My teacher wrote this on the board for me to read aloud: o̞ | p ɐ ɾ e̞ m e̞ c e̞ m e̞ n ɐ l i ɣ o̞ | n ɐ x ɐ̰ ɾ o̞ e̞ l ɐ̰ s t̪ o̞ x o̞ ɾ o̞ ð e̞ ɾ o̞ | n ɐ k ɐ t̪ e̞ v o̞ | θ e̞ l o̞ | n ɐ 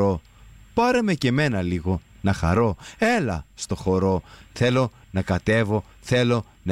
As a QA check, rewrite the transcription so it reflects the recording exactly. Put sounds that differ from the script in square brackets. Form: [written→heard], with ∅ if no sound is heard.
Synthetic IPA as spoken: o̞ | p ɐ ɾ e̞ m e̞ c e̞ m e̞ n ɐ l i ɣ o̞ | n ɐ x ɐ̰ ɾ o̞ e̞ l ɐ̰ s t̪ o̞ x o̞ ɾ o̞ [ð→θ] e̞ [ɾ→l] o̞ | n ɐ k ɐ t̪ e̞ v o̞ | θ e̞ l o̞ | n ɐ